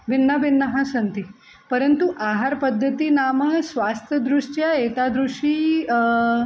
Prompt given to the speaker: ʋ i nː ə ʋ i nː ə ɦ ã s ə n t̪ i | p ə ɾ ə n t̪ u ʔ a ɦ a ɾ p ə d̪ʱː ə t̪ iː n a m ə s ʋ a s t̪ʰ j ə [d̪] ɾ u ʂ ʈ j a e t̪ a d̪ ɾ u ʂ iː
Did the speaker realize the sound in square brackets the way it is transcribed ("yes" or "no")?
yes